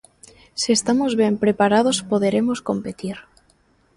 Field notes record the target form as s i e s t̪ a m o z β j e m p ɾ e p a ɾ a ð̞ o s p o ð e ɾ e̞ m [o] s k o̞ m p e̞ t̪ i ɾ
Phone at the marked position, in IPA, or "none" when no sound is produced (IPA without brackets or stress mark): o